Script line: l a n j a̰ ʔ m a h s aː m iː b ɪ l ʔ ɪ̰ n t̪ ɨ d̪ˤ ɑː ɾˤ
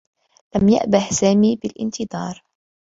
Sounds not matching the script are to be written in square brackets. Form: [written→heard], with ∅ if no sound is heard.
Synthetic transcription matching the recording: l a [n→m] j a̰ ʔ [m→b] a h s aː m iː b ɪ l ʔ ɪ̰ n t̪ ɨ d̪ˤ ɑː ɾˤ